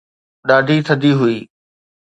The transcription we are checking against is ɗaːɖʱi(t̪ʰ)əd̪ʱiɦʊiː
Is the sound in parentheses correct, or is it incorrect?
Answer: correct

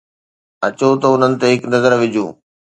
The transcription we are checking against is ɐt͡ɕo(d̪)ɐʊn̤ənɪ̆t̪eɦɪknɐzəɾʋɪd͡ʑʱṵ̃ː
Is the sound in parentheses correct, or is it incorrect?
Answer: incorrect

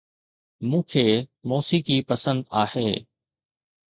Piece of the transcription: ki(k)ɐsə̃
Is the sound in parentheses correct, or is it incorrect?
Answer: incorrect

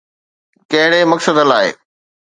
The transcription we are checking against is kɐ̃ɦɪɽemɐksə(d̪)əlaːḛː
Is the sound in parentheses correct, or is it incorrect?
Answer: correct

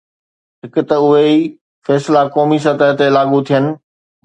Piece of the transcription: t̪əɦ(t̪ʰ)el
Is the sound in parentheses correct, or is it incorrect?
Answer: incorrect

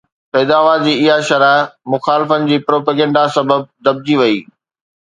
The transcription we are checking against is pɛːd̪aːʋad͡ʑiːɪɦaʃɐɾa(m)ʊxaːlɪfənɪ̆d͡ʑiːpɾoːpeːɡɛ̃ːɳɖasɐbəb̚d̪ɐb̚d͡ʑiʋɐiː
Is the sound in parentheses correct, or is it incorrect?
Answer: correct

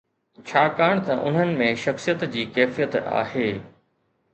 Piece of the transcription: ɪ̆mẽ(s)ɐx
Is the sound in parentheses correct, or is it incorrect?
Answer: incorrect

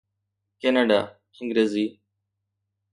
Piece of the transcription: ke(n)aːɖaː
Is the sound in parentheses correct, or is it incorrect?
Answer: correct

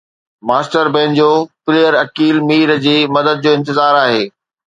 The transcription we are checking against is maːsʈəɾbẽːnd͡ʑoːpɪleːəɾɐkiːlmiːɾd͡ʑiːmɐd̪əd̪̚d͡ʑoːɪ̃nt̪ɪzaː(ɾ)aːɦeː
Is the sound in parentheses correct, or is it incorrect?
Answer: correct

